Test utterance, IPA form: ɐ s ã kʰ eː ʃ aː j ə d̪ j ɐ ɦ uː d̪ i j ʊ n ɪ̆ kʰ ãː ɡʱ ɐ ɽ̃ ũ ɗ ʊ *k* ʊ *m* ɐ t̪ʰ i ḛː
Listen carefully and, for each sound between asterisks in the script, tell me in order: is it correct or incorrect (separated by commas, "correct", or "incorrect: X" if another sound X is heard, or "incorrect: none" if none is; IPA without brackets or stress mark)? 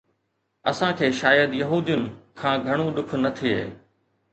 incorrect: kʰ, incorrect: n